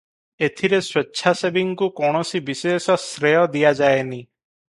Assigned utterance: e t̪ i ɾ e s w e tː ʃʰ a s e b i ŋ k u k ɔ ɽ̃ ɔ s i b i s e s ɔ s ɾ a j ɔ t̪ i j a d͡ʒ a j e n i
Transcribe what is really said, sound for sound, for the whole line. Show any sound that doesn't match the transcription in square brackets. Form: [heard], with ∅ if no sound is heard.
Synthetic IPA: e [t̪ʰ] i ɾ e s w e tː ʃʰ a s e b i ŋ k u k ɔ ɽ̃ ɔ s i b i s e s ɔ s ɾ [e] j ɔ [d̪] i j a d͡ʒ a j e n i